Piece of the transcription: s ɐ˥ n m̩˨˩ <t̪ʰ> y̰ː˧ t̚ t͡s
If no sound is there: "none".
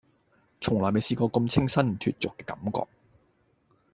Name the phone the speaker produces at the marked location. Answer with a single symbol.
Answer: t̪ʰ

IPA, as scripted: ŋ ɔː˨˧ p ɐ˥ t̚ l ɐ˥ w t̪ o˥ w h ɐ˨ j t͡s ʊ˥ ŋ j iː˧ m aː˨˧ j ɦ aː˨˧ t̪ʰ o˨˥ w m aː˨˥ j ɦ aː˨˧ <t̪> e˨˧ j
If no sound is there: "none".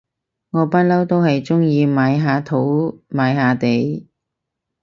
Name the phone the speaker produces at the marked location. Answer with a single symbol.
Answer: t̪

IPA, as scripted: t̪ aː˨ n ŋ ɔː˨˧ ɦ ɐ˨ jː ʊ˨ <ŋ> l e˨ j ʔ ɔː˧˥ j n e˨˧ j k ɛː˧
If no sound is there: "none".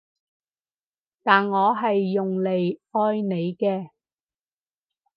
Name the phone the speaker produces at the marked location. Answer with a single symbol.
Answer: ŋ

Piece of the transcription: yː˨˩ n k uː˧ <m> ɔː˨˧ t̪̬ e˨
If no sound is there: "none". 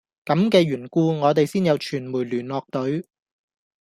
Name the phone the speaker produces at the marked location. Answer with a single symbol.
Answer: ŋ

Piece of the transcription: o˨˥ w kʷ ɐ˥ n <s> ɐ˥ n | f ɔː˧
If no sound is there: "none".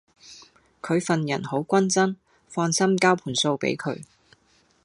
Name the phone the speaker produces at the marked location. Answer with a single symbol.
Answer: t͡s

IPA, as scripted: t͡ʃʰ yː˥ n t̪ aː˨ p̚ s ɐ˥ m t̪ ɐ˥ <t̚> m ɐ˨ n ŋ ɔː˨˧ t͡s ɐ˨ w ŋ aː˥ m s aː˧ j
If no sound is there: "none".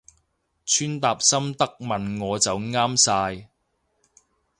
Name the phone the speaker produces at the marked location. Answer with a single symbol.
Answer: k̚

